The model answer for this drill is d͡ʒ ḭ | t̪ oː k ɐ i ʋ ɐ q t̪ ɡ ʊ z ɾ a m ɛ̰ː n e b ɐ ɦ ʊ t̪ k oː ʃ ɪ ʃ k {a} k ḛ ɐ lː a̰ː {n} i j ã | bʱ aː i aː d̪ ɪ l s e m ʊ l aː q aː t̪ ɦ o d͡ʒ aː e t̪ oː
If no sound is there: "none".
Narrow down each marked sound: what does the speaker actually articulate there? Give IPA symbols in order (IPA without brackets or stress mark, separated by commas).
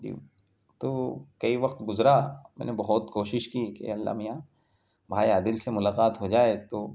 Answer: i, m